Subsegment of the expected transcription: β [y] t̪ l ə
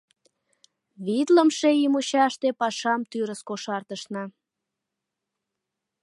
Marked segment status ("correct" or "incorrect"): incorrect